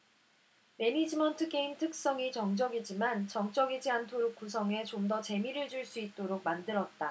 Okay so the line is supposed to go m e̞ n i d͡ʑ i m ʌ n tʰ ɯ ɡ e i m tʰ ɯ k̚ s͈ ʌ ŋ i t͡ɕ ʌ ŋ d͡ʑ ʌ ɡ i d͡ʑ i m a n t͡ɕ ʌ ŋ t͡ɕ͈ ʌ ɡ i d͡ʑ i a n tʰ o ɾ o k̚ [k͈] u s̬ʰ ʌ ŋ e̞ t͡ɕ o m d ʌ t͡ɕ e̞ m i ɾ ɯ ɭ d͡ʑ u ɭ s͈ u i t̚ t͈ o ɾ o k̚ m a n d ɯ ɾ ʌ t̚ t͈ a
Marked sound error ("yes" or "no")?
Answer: no